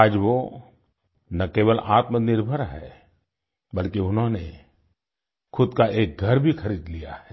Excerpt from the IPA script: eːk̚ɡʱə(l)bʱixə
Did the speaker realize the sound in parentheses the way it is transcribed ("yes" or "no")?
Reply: no